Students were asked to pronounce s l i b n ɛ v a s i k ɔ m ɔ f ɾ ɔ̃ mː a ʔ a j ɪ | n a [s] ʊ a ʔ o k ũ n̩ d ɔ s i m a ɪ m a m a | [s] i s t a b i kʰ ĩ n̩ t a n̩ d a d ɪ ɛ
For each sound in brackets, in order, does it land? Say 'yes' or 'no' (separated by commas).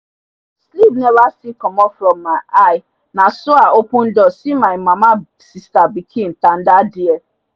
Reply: yes, yes